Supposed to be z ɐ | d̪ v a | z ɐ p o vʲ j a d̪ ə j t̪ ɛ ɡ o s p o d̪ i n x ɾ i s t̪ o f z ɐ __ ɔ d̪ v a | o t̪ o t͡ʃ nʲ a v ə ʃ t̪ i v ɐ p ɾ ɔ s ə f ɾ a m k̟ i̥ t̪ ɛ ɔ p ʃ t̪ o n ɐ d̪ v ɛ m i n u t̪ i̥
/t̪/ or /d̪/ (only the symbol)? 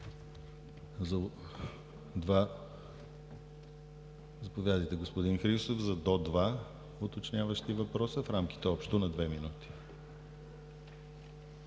d̪